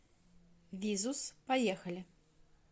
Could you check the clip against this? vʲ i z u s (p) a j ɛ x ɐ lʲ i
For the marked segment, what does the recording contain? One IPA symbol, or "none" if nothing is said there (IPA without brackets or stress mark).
p